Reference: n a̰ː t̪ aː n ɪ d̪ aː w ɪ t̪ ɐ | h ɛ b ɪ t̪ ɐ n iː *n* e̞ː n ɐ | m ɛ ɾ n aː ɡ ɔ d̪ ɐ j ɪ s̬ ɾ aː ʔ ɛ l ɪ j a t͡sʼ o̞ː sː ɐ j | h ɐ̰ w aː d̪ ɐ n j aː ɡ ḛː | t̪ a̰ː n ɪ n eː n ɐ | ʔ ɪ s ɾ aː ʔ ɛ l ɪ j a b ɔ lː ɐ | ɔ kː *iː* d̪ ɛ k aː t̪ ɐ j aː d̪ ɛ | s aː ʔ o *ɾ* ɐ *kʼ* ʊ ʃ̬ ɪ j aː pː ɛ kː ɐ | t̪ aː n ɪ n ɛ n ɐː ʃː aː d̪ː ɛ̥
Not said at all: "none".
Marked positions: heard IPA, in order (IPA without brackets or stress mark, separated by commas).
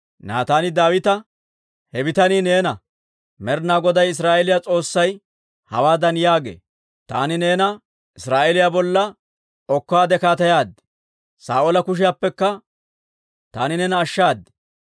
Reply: n, aː, l, k